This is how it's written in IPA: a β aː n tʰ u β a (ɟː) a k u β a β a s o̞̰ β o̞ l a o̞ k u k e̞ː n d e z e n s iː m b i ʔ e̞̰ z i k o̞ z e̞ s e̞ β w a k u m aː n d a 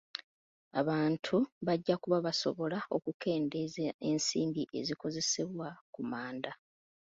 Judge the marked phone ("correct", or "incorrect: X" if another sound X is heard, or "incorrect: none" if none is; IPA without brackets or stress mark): correct